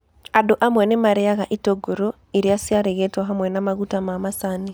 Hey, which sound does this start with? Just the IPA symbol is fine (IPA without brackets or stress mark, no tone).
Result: a